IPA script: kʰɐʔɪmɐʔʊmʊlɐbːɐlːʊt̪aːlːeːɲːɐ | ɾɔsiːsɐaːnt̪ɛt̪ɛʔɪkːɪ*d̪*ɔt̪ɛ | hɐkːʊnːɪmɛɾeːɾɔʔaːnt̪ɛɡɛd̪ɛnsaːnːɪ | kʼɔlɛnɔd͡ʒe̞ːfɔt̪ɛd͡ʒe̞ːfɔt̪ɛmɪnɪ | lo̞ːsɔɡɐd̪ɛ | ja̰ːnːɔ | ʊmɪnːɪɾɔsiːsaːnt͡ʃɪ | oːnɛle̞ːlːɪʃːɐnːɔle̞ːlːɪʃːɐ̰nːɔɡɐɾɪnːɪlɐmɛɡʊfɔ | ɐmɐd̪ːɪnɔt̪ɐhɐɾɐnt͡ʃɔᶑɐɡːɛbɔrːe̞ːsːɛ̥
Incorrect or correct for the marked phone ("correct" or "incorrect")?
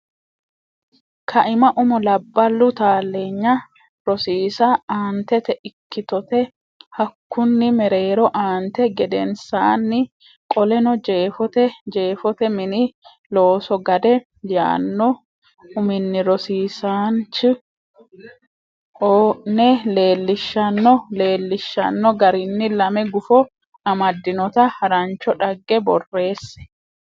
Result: incorrect